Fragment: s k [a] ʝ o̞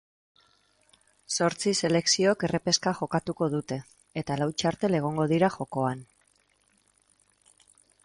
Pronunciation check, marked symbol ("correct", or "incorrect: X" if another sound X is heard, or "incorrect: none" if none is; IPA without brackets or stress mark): correct